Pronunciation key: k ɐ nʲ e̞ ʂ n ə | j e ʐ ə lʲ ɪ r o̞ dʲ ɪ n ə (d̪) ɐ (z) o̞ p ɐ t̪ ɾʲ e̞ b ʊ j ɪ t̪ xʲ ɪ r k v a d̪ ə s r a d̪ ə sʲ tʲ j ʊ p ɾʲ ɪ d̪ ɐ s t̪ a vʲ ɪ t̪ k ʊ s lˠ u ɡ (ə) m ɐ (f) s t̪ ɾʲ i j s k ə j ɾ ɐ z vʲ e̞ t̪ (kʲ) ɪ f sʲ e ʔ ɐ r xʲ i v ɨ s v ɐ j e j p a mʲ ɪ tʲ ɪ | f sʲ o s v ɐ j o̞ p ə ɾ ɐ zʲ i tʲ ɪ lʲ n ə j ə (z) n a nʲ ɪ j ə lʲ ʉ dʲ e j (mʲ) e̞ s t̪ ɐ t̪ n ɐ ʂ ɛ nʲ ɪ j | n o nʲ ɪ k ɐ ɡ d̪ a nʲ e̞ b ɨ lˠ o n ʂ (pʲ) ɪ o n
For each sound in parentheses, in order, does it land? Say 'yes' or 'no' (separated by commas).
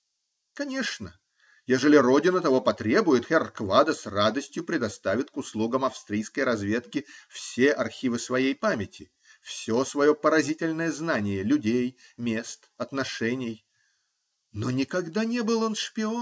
no, no, yes, yes, yes, yes, yes, yes